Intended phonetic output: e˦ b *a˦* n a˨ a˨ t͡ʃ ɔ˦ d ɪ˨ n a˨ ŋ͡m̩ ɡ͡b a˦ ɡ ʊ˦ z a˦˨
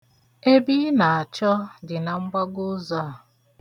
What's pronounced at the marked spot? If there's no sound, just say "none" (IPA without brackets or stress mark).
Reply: i˦